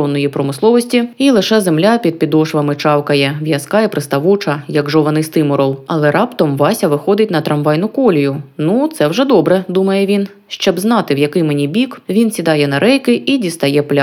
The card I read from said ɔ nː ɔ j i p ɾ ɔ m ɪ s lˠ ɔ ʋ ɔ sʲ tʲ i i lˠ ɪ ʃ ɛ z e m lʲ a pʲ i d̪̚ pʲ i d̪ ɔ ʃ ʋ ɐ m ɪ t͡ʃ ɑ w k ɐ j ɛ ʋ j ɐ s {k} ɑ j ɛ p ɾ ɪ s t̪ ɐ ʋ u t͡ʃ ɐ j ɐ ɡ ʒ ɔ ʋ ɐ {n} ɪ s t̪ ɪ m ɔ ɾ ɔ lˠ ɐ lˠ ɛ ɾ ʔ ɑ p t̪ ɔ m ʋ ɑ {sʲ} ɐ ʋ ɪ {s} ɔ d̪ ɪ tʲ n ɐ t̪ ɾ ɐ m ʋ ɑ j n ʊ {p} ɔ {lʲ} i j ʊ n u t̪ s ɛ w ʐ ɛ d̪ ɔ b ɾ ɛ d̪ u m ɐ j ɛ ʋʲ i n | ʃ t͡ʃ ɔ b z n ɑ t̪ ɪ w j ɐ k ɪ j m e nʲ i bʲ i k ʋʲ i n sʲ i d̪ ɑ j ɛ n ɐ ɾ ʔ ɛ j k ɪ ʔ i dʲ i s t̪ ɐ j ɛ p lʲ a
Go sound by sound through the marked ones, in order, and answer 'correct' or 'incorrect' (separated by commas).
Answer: correct, correct, correct, incorrect, incorrect, correct